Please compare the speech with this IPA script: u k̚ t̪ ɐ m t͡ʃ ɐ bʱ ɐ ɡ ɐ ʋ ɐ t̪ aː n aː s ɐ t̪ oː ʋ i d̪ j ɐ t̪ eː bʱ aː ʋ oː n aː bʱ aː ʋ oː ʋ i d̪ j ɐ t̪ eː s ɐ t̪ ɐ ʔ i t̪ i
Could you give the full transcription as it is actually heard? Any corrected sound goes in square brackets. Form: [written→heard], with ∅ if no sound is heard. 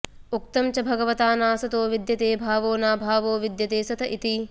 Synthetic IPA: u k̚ t̪ ɐ m t͡ʃ ɐ bʱ ɐ ɡ ɐ ʋ ɐ t̪ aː n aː s ɐ t̪ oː ʋ i d̪ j ɐ t̪ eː bʱ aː ʋ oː n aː bʱ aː ʋ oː ʋ i d̪ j ɐ t̪ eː s ɐ t̪ ɐ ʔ i t̪ i